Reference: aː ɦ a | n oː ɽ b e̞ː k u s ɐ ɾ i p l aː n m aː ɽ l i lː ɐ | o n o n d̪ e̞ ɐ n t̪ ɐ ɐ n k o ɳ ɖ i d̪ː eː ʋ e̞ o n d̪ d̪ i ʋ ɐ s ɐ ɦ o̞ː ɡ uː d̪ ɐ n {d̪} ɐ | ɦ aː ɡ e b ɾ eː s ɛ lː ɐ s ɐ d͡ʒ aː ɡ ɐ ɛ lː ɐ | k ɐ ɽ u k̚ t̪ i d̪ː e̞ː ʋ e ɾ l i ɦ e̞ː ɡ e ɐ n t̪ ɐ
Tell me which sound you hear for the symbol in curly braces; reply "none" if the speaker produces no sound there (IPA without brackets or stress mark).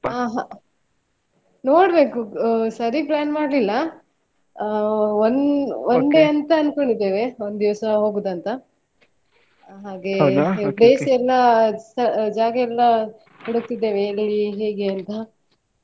t̪